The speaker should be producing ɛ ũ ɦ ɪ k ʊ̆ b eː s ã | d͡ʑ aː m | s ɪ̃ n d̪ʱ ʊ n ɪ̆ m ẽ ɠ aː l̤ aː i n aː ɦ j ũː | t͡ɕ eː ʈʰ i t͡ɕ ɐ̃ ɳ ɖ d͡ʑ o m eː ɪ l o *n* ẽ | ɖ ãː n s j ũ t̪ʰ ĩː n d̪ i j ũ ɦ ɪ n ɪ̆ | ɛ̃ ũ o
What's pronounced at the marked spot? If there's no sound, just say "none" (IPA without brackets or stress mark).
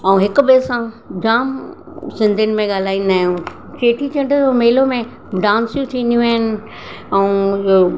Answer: m